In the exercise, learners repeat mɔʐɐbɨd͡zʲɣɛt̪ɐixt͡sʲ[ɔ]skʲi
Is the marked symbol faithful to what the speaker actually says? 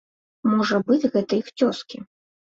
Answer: yes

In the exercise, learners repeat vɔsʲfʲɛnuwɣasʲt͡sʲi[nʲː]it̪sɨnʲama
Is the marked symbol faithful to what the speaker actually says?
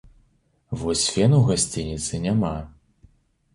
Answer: no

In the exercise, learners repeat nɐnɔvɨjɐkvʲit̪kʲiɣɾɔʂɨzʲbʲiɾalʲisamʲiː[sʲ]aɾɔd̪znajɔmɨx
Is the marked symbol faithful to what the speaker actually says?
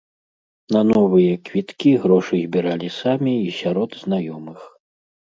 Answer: yes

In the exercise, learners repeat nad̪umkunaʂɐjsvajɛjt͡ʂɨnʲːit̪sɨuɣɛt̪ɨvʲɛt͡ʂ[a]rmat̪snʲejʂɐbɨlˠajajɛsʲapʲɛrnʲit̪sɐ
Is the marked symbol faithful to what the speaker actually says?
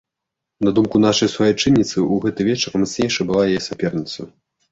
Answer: no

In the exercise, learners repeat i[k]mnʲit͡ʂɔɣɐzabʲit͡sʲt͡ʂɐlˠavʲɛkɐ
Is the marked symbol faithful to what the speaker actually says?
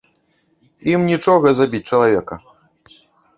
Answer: no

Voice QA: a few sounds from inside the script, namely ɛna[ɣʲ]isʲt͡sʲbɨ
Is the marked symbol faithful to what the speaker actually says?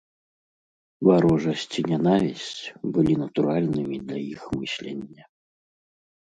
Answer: no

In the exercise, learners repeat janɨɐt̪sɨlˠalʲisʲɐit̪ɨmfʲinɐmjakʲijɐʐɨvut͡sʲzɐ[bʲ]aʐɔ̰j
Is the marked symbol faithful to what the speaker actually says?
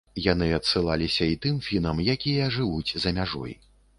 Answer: no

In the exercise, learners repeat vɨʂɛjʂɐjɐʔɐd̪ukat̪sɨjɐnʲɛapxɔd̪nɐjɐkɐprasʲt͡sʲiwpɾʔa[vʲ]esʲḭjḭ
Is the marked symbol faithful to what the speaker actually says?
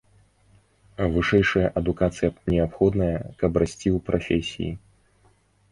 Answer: no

